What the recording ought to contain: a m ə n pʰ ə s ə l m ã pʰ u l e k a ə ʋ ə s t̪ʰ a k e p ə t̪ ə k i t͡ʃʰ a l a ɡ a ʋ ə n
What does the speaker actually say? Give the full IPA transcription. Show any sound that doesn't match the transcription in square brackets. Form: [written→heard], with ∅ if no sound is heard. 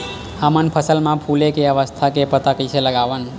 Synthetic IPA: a m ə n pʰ ə s ə l m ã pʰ u l e k [a→e] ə ʋ ə s t̪ʰ a k e p ə t̪ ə k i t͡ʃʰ [a→e] l [a→ə] ɡ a ʋ ə n